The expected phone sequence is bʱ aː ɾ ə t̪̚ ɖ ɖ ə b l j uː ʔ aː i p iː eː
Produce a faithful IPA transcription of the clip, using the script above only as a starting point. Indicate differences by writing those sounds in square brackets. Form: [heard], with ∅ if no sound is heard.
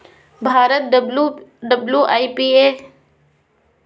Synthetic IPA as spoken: bʱ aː ɾ ə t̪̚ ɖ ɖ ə b l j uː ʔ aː i p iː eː